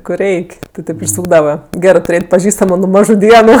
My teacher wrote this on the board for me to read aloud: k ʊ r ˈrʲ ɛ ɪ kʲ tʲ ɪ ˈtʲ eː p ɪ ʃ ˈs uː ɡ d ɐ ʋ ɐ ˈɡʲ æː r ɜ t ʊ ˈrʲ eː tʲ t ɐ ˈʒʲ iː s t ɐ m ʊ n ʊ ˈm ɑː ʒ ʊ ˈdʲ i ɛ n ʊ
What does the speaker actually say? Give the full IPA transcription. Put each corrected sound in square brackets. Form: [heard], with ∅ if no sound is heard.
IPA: k ʊ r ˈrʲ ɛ ɪ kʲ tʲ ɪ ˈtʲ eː p ɪ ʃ ˈs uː ɡ d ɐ ʋ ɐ ˈɡʲ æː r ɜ t ʊ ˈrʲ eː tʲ [p] ɐ ˈʒʲ iː s t ɐ m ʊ n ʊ ˈm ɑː ʒ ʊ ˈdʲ i ɛ n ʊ